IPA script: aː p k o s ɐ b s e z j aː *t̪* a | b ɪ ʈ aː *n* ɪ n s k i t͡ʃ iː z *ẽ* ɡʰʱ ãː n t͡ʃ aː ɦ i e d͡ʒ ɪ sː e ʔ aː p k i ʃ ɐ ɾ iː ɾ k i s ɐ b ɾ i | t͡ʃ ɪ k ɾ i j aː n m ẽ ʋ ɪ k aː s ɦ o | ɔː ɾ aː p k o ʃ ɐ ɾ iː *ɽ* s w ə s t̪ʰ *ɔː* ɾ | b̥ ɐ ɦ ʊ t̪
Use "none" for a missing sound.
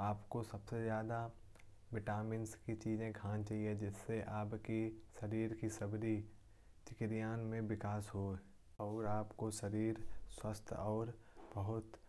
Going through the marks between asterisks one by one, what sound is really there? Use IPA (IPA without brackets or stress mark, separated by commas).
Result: d̪, m, ẽ, ɾ, ɔː